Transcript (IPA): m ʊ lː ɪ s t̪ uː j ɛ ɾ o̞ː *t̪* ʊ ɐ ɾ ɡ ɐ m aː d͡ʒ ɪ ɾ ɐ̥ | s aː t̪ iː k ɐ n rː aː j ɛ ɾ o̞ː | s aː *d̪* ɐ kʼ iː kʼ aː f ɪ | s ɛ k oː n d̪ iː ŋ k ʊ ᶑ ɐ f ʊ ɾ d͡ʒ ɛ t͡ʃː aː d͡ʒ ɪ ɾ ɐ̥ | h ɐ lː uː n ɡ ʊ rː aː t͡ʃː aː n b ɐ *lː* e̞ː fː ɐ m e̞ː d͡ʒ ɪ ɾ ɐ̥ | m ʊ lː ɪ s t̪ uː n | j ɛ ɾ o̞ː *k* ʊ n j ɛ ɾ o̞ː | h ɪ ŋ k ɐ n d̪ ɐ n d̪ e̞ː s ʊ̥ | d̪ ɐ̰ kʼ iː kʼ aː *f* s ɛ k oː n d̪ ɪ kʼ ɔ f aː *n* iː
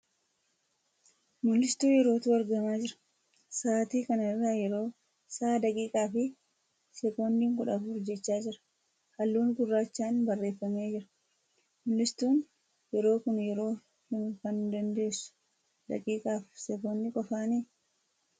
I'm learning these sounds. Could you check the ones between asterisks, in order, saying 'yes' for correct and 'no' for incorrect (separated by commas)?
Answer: yes, yes, no, yes, yes, yes